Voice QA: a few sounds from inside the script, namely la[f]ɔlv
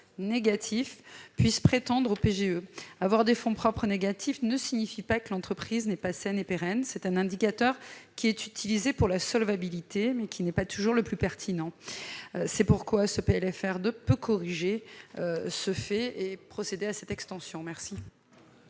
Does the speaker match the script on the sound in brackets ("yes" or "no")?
no